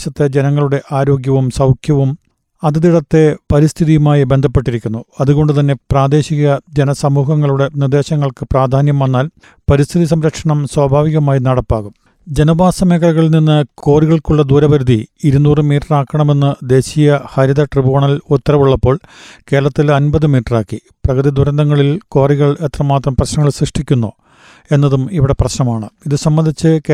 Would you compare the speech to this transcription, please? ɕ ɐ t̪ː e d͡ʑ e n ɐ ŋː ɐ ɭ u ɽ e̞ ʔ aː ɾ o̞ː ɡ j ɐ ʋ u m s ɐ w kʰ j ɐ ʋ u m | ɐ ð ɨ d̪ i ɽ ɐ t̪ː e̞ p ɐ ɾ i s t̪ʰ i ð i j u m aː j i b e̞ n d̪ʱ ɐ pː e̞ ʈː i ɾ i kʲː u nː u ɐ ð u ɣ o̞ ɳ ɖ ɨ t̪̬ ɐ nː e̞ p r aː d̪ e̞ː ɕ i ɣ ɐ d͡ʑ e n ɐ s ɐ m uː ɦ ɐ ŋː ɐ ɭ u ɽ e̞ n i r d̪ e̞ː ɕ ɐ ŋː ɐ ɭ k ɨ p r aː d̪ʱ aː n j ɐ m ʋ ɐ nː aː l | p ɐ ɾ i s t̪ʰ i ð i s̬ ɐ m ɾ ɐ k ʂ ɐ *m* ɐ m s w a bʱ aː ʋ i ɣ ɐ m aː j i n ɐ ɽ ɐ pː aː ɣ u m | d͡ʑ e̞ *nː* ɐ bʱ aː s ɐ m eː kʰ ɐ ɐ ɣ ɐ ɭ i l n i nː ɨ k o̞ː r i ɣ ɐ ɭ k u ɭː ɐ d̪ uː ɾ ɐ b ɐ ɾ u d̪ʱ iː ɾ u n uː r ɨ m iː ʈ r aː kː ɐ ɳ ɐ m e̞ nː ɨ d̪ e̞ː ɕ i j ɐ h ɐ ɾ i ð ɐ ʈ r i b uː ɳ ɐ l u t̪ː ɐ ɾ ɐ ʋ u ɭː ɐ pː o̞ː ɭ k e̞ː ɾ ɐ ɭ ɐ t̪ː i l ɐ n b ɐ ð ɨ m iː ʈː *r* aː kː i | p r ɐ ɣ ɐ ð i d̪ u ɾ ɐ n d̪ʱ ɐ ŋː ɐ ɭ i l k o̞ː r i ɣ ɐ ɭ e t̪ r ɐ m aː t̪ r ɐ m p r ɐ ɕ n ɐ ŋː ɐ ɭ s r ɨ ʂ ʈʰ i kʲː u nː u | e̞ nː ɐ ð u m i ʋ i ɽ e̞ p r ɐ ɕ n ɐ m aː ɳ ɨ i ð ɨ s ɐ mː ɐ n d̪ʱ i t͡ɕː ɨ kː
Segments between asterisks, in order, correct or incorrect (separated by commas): incorrect, incorrect, correct